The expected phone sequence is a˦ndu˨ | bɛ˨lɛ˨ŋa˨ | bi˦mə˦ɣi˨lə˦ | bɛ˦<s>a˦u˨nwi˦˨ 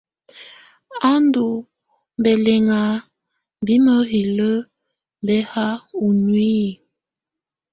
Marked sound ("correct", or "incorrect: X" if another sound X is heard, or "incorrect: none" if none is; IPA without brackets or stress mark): incorrect: h